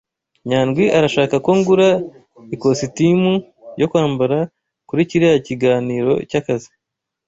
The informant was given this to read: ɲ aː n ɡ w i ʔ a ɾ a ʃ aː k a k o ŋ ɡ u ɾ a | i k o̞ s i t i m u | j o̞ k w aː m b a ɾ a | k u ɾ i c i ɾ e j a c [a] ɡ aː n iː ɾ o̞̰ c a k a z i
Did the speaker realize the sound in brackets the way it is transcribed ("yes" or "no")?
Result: no